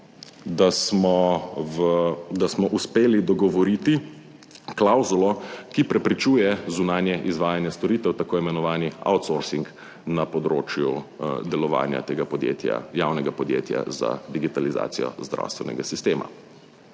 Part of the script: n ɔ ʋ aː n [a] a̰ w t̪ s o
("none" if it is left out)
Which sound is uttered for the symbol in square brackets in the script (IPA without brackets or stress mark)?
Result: i